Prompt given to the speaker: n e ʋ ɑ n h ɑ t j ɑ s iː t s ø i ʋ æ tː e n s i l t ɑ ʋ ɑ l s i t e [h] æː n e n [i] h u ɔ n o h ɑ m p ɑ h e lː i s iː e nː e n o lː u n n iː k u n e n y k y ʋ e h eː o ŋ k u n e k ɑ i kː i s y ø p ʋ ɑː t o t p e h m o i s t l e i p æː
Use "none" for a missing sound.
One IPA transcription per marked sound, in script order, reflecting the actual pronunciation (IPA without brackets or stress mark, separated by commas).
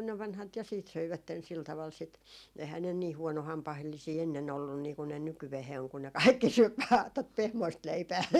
h, iː